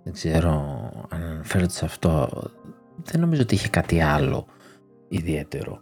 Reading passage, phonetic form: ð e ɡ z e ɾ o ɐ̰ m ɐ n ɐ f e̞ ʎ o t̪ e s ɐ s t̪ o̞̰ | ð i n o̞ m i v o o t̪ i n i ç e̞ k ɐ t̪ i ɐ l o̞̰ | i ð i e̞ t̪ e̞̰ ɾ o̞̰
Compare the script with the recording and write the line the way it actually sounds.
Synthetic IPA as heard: ð e ɡ z e ɾ o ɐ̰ n ɐ n ɐ f e̞ ɾ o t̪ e s ɐ f t̪ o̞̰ | ð e n o̞ m i z o o t̪ i i ç e̞ k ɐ t̪ i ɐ l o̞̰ | i ð i e̞ t̪ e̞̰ ɾ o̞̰